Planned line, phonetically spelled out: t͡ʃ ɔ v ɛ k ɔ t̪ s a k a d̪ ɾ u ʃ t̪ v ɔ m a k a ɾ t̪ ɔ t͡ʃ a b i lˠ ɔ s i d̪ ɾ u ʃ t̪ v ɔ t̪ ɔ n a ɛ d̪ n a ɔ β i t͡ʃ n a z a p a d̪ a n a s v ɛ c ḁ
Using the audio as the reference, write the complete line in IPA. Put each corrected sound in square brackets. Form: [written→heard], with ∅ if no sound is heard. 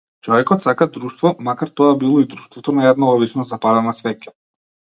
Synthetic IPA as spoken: t͡ʃ ɔ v ɛ k ɔ t̪ s a k a d̪ ɾ u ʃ t̪ v ɔ m a k a ɾ t̪ ɔ [t͡ʃ→∅] a b i lˠ ɔ [s→∅] i d̪ ɾ u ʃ t̪ v ɔ t̪ ɔ n a ɛ d̪ n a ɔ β i t͡ʃ n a z a p a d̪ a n a s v ɛ c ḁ